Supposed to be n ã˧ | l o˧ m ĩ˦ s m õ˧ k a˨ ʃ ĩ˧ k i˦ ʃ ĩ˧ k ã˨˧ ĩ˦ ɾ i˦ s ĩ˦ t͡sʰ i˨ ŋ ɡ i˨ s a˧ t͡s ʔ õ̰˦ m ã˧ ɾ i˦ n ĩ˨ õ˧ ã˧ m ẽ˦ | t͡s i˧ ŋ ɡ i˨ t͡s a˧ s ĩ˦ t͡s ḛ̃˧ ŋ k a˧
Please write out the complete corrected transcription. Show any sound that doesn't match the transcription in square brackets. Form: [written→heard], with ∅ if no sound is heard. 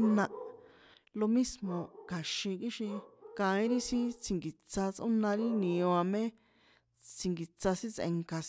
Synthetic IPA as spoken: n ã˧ | l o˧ m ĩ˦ s m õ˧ k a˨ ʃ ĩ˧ k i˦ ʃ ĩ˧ k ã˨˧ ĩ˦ ɾ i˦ s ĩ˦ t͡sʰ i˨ ŋ ɡ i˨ [s→t͡s] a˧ t͡s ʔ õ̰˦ [m→n] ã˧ ɾ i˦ n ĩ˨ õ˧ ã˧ m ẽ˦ | t͡s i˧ ŋ ɡ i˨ t͡s a˧ s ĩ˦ t͡s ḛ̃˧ ŋ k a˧